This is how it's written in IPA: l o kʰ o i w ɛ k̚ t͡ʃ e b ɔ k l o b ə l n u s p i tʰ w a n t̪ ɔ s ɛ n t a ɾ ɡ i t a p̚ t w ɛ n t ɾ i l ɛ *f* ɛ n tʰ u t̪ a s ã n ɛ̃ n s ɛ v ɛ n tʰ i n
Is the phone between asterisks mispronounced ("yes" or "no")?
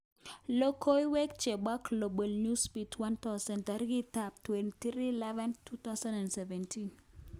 yes